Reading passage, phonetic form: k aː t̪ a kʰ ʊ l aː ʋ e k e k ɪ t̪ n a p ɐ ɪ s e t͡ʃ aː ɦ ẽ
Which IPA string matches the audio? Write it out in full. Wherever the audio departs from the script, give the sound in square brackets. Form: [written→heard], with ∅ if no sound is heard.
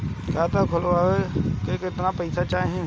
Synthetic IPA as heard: k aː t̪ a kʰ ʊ l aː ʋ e k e k ɪ t̪ n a p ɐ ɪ s [e→a] t͡ʃ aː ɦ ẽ